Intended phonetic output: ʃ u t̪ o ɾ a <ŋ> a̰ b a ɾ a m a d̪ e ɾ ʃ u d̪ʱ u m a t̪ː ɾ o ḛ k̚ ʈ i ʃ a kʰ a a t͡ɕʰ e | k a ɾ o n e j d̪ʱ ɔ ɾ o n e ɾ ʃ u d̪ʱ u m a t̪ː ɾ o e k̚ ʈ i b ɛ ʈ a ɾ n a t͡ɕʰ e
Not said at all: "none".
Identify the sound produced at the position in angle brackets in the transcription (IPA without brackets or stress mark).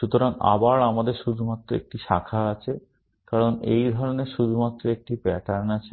ŋ